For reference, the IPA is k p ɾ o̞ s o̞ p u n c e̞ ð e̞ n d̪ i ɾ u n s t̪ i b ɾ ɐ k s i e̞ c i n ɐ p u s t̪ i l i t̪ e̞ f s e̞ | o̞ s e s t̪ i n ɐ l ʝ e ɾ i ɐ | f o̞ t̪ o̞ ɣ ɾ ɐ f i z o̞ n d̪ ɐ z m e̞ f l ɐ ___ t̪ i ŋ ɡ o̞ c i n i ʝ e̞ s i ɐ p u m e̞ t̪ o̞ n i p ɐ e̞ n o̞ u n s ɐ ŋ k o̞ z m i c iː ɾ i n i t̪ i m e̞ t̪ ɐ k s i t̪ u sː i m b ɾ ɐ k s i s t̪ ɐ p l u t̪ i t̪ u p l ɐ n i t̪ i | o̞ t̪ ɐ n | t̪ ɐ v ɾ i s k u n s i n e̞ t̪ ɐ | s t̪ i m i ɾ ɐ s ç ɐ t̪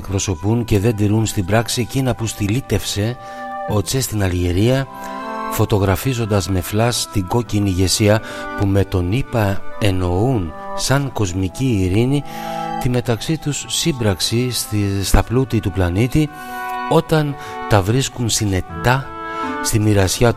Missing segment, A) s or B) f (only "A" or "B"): A